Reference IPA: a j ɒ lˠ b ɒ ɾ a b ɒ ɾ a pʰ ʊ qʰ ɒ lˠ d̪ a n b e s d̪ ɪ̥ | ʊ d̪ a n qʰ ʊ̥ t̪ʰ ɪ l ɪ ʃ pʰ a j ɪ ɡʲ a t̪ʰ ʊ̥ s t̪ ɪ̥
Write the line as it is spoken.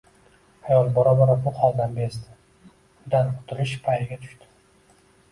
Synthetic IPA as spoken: a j ɒ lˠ b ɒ ɾ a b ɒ ɾ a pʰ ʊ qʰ ɒ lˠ d̪ a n b e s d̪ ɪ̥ | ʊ d̪ a n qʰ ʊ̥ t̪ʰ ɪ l ɪ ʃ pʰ a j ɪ ɡʲ a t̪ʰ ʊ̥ ʃ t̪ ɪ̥

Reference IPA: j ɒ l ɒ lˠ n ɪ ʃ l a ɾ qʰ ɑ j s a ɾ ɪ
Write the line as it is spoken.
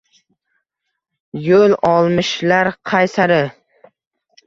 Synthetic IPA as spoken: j o l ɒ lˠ m ɪ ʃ l a ɾ qʰ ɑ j s a ɾ ɪ

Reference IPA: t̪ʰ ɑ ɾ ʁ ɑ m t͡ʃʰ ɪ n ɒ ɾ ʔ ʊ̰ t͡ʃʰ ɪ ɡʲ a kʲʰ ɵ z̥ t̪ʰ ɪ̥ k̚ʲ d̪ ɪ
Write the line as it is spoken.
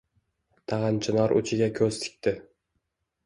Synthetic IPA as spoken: t̪ʰ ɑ ʁ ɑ n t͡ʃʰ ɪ n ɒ ɾ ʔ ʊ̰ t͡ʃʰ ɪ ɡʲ a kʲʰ ɵ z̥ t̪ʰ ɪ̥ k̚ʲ t̪ ɪ

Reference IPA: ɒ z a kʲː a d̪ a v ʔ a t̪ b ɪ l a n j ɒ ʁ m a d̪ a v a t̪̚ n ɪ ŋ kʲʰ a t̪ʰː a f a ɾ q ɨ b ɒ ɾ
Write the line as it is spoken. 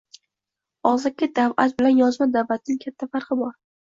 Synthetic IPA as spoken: ɒ z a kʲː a d̪ a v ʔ a t̪ b ɪ l a n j ɒ z m a d̪ a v a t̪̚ n ɪ ŋ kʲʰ a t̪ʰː a f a ɾ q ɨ b ɒ ɾ

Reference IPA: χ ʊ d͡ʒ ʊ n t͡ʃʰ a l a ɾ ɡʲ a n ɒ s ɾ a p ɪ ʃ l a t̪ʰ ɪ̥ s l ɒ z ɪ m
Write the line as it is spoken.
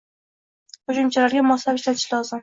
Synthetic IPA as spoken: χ ʊ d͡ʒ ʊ m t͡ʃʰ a l a ɾ ɡʲ a m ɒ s l a p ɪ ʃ l a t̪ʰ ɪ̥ ʃ l ɒ z ɪ m

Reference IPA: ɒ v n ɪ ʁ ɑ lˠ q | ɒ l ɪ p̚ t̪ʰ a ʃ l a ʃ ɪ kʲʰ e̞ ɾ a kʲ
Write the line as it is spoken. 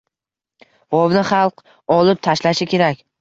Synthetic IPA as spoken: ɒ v n ɪ χ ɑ lˠ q | ɒ l ɪ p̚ t̪ʰ a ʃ l a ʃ ɪ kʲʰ e̞ ɾ a kʲ

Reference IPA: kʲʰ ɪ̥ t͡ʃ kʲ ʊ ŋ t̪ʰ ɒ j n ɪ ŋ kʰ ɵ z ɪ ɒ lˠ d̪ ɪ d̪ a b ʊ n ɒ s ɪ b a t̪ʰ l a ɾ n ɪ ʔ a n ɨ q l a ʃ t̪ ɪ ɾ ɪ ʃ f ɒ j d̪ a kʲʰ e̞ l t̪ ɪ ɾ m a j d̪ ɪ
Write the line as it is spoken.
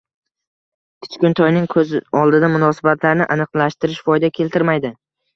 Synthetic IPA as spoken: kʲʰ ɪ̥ t͡ʃ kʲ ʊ n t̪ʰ ɒ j n ɪ ŋ kʰ ɵ z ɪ ɒ lˠ d̪ ɪ d̪ a m ʊ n ɒ s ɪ b a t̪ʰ l a ɾ n ɪ ʔ a n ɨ q l a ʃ t̪ ɪ ɾ ɪ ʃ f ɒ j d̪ a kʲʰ e̞ l t̪ ɪ ɾ m a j d̪ ɪ

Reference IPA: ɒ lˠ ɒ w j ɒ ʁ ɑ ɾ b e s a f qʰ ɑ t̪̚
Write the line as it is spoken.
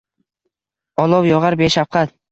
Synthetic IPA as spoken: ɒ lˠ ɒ w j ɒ ʁ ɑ ɾ b e ʃ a f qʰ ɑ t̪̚

